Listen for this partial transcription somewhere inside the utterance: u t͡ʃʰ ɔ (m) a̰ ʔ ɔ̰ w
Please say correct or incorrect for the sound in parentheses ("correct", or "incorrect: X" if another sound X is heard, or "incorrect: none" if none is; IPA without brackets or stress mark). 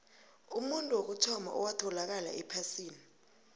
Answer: correct